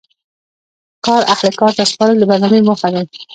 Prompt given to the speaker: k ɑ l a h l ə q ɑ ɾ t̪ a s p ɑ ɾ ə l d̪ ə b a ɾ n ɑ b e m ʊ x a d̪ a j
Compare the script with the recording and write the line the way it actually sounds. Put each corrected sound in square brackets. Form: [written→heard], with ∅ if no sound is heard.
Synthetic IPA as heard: k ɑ [l→ɾ] a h l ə [q→k] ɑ ɾ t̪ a s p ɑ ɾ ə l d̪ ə b a ɾ n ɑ [b→m] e m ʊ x a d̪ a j